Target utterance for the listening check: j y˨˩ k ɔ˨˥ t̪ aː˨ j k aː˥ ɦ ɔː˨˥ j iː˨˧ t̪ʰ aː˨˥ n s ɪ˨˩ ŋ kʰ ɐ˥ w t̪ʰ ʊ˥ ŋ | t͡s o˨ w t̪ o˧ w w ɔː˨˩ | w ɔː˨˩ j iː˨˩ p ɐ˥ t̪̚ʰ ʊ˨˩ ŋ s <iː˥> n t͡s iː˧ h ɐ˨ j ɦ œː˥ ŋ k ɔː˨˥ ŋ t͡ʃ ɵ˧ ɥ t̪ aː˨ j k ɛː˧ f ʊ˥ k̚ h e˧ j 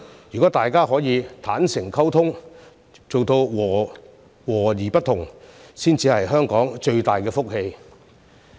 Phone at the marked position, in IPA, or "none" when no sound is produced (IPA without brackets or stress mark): iː˥